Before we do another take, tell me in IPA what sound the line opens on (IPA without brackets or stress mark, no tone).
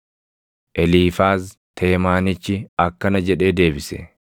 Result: ʔ